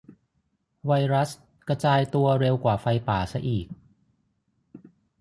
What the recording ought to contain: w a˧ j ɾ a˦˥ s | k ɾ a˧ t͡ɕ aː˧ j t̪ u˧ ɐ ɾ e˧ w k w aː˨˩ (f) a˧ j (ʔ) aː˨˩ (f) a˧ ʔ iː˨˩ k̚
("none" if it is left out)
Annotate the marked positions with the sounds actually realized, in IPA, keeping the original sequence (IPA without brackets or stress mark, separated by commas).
f, p, s